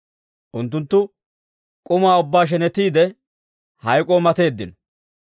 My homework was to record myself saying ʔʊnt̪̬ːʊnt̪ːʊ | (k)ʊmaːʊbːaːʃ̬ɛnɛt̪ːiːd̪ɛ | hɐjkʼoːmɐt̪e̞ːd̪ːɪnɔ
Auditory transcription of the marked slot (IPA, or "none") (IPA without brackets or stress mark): kʼ